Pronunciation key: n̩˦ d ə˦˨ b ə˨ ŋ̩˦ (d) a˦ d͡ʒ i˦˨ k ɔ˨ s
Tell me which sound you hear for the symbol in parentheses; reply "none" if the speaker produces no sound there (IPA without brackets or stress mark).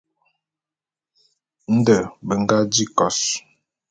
ɡ